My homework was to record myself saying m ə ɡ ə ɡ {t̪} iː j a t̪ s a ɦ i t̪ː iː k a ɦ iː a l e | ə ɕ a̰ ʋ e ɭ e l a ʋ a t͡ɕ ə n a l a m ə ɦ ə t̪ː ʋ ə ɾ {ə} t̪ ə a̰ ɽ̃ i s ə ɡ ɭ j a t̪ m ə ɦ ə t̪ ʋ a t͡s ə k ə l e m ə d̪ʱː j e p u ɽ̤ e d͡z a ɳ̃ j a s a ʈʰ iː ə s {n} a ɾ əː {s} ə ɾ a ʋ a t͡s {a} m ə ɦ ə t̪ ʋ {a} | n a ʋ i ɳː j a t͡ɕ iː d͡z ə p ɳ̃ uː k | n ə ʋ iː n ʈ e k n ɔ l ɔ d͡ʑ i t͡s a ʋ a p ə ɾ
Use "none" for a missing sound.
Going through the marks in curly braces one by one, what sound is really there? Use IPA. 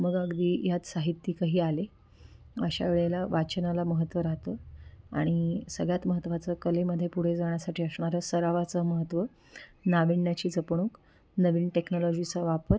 d̪, a, ɳ, s, ə, ə

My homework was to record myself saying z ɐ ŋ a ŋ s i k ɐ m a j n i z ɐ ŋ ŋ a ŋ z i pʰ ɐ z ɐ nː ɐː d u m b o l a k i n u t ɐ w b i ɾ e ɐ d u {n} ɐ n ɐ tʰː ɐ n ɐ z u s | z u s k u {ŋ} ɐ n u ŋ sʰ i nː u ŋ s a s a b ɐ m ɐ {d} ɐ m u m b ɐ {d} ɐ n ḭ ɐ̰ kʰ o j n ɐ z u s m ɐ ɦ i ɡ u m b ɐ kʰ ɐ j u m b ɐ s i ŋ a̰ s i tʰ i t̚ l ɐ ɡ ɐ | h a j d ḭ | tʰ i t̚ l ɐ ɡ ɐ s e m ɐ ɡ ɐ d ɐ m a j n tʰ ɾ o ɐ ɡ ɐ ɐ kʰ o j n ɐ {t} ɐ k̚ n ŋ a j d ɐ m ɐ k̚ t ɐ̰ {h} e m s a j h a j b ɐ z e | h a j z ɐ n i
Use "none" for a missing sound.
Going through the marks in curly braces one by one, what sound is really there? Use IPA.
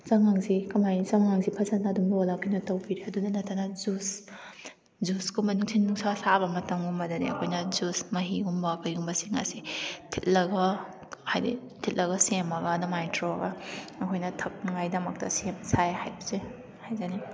n, m, t, d, tʰ, s

